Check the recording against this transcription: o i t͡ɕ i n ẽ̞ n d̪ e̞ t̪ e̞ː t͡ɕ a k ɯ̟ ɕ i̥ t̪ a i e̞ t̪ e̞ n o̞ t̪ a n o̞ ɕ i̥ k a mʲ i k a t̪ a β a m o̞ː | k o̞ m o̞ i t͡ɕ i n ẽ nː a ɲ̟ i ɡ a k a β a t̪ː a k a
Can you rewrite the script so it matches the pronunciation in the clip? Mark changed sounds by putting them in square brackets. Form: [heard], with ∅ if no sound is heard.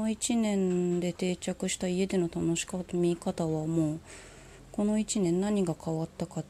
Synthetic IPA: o i t͡ɕ i n ẽ̞ n d̪ e̞ t̪ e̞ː t͡ɕ a k ɯ̟ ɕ i̥ t̪ a i e̞ [d̪] e̞ n o̞ t̪ a n o̞ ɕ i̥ k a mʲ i k a t̪ a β a m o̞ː | k o̞ [n] o̞ i t͡ɕ i n ẽ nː a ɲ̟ i ɡ a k a β a t̪ː a k a